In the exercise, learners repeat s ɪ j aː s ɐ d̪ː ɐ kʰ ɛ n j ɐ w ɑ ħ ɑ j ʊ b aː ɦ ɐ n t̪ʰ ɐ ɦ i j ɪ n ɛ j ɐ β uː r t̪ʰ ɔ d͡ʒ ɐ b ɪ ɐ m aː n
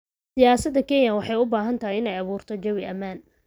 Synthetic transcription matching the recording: s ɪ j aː s ɐ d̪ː ɐ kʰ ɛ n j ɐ w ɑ ħ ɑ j ʊ b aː ɦ ɐ n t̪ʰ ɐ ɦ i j ɪ n ɛ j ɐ β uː r t̪ʰ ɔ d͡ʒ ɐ w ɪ ɐ m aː n